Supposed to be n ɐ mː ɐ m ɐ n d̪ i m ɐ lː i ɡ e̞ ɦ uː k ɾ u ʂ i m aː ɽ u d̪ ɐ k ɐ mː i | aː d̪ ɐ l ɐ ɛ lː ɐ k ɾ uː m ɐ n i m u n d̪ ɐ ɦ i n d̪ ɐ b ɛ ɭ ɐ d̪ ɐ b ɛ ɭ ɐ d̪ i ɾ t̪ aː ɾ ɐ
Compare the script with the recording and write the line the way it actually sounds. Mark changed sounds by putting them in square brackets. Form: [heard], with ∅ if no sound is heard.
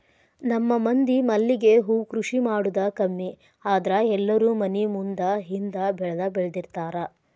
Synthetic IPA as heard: n ɐ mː ɐ m ɐ n d̪ i m ɐ lː i ɡ e̞ ɦ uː k ɾ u ʂ i m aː ɽ u d̪ ɐ k ɐ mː i | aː d̪ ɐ [ɾ] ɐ ɛ lː ɐ [∅] ɾ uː m ɐ n i m u n d̪ ɐ ɦ i n d̪ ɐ b ɛ ɭ ɐ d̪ ɐ b ɛ ɭ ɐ d̪ i ɾ t̪ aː ɾ ɐ